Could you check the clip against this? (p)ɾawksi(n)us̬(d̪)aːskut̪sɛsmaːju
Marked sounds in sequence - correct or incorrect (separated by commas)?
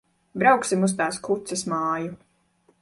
incorrect, incorrect, incorrect